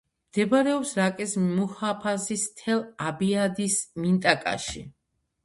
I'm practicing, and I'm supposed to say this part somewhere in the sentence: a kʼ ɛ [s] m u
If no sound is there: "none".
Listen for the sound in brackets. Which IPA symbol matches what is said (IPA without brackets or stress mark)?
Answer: s